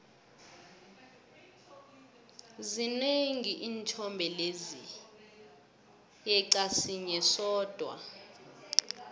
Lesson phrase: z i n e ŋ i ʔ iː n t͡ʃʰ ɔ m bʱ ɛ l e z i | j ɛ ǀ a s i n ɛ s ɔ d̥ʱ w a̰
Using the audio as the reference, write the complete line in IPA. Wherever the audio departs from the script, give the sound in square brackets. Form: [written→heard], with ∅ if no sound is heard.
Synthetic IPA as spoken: z i n e ŋ i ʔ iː n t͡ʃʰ ɔ m bʱ ɛ l e z i | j ɛ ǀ a s i [n→ɲ] ɛ s [ɔ→ɔː] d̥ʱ w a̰

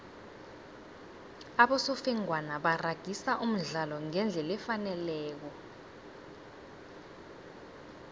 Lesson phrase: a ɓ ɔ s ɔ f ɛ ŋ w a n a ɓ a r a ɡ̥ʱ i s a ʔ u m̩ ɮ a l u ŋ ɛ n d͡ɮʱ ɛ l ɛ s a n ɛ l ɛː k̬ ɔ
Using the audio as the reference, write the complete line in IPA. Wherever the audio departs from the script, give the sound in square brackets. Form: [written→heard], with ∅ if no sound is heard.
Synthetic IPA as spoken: a ɓ ɔ s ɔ f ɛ ŋ w a n a ɓ a r a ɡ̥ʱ i s a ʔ u m̩ ɮ a l [u→ɔ] ŋ ɛ n d͡ɮʱ ɛ l ɛ [s→f] a n ɛ l ɛː k̬ ɔ

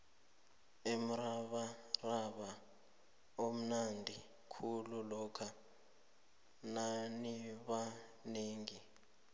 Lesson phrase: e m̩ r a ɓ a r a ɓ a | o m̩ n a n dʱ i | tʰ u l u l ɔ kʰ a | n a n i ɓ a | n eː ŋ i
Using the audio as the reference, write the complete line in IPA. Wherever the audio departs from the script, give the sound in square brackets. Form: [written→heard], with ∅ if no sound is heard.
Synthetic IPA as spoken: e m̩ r a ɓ a r a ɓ a | o m̩ n a n dʱ i | [tʰ→kʰ] u l u l ɔ kʰ a | n a n i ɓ a | n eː ŋ i

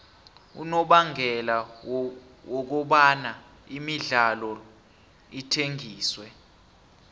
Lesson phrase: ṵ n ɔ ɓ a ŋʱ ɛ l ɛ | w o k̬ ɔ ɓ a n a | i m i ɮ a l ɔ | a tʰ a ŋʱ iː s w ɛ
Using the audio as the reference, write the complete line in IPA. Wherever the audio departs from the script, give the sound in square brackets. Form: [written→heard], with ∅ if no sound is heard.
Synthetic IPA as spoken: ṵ n ɔ ɓ a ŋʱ ɛ l [ɛ→a] | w [o→ɔ] k̬ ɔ ɓ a n a | i m i ɮ a l ɔ | [a→i] tʰ [a→e] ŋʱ iː s w ɛ

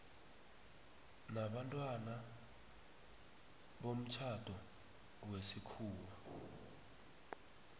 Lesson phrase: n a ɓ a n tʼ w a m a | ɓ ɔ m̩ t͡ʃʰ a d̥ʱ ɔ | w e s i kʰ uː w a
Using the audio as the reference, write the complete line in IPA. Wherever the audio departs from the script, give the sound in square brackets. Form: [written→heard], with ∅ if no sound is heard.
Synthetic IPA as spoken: n a ɓ a n tʼ w a [m→n] a | ɓ [ɔ→o] m̩ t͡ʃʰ a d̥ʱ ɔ | w e s i kʰ uː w a

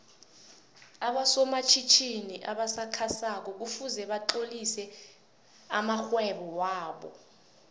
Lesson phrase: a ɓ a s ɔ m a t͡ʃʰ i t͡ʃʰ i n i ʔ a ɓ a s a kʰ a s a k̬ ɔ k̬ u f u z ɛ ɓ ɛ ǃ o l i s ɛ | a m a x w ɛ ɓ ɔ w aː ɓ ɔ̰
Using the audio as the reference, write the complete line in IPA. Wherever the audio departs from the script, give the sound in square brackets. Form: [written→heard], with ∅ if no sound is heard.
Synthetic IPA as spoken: a ɓ a s ɔ m a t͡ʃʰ i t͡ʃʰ i n i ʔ a ɓ a s a kʰ a s a k̬ ɔ k̬ u f u z ɛ ɓ [ɛ→a] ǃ o l i s ɛ | a m a x w ɛ ɓ ɔ w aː ɓ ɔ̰

